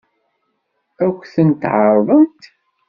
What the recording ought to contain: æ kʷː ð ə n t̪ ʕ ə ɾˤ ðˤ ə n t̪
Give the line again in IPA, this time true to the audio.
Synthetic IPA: æ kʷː θ ə n t̪ ʕ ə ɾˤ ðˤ ə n t̪